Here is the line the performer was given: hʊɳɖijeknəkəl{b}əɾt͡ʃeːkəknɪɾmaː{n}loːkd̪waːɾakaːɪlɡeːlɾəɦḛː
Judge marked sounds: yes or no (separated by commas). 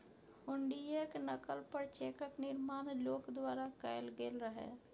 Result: no, yes